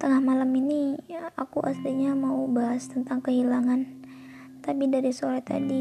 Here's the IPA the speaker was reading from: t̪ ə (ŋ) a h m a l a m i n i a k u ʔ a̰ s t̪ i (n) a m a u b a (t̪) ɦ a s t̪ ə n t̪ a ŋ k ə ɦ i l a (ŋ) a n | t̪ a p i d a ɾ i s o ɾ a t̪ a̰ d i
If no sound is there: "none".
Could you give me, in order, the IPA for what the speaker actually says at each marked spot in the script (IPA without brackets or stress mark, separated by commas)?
ŋ, ɲ, none, ŋ